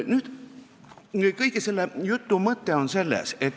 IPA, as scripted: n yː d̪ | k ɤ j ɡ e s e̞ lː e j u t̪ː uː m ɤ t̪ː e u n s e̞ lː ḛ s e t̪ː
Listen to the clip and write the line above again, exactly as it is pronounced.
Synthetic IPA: n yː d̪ | k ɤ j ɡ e s e̞ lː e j u t̪ː u m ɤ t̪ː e o n s e̞ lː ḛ s e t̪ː